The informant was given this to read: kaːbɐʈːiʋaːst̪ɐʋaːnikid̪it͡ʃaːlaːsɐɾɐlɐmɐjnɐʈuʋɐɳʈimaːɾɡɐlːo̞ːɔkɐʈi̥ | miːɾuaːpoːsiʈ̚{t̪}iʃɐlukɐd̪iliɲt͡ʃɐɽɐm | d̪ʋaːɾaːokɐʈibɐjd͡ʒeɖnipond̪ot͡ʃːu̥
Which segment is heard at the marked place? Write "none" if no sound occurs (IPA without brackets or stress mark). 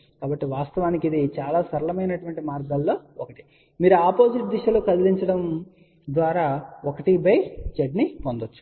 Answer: d̪